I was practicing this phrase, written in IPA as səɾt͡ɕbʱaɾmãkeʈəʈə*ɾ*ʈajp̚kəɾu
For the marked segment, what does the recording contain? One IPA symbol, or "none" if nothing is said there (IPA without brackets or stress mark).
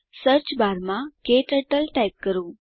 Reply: l